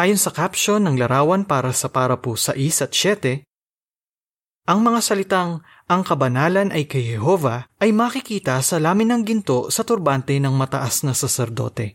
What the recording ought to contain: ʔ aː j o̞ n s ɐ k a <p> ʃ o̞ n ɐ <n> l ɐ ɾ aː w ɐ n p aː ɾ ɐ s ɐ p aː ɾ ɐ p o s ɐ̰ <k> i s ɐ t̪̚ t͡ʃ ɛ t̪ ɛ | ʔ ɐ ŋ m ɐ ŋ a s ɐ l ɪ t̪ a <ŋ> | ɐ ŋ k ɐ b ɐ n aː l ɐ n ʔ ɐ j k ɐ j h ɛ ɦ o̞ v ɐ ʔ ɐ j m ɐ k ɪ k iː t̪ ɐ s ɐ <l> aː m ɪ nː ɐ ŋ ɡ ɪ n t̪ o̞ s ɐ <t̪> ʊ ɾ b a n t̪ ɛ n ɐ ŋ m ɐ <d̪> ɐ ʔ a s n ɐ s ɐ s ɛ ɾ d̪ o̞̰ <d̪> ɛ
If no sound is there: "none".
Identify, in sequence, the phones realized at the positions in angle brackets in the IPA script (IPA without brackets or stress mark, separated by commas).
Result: p, ŋ, ʔ, ŋ, l, t̪, t̪, t̪